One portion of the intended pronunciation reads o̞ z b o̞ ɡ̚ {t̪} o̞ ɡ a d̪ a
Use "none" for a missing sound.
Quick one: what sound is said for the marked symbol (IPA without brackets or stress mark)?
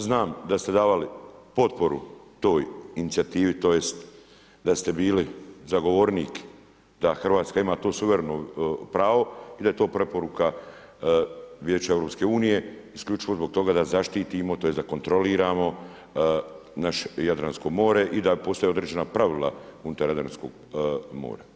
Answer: t̪